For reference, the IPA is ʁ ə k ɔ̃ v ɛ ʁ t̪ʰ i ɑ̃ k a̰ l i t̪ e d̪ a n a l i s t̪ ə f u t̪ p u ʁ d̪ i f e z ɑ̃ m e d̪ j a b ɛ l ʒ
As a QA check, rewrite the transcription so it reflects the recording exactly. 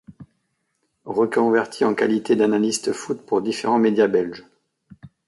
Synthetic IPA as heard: ʁ ə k ɔ̃ v ɛ ʁ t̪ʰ i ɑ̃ k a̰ l i t̪ e d̪ a n a l i s t̪ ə f u t̪ p u ʁ d̪ i f e ʁ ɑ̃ m e d̪ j a b ɛ l ʒ